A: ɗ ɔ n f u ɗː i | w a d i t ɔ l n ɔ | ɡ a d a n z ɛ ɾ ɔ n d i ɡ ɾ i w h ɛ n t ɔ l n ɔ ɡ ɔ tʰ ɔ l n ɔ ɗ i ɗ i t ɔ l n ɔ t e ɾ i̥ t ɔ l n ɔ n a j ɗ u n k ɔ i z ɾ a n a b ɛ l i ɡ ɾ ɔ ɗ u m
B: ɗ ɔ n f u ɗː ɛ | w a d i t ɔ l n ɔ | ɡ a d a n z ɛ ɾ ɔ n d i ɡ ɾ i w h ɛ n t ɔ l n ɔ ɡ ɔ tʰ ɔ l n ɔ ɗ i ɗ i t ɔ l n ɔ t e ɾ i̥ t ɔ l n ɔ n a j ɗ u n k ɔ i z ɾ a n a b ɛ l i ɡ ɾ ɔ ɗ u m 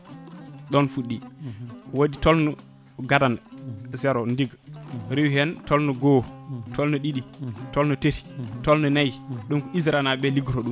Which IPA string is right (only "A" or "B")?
A